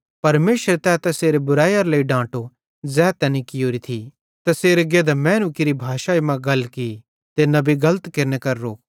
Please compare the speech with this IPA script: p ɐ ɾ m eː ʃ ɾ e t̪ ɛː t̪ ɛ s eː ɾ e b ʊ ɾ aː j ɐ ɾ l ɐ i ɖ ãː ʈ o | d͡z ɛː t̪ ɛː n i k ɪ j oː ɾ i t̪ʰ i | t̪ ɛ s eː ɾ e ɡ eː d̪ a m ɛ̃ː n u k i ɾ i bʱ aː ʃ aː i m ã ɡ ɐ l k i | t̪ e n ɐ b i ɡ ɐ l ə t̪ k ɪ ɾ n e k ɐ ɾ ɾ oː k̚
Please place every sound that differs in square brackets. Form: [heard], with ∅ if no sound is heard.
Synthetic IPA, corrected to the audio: p ɐ ɾ m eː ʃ ɾ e t̪ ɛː t̪ ɛ s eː ɾ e b ʊ ɾ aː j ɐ ɾ l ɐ i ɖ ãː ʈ o | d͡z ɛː t̪ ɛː n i k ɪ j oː ɾ i t̪ʰ i | t̪ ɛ s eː ɾ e ɡ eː d̪ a m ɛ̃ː n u k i ɾ i bʱ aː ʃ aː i m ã ɡ ɐ l k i | t̪ e n ɐ b i ɡ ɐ l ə t̪ k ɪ ɾ n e k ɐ ɾ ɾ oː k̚